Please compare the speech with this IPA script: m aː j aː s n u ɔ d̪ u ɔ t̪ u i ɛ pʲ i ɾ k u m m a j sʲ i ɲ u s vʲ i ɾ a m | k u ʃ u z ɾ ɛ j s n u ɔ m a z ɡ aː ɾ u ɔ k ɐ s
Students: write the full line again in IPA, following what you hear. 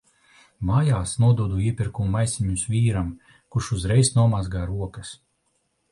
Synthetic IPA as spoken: m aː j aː s n u ɔ d̪ u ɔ d̪ u i ɛ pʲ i ɾ k u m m a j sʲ i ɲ u s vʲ iː ɾ a m | k u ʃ u z ɾ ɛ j s n u ɔ m a z ɡ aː ɾ u ɔ k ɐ s